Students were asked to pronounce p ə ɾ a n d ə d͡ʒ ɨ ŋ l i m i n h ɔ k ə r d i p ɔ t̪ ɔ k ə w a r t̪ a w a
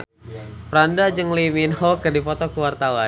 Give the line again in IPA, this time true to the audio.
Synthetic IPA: p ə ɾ a n d a d͡ʒ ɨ ŋ l i m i n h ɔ k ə r d i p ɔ t̪ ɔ k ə w a r t̪ a w a